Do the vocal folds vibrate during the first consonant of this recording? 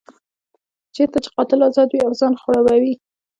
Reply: no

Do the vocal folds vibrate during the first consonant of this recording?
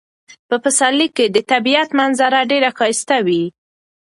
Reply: no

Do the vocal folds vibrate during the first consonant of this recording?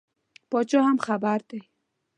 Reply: no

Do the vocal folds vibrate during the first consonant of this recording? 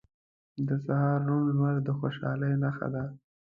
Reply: yes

